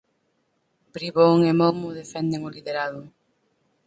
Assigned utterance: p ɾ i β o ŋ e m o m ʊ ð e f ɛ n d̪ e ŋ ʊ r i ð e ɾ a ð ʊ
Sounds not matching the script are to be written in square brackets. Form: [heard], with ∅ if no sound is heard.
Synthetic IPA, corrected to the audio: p ɾ i β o ŋ e m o m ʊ ð e f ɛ n d̪ e ŋ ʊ [l] i ð e ɾ a ð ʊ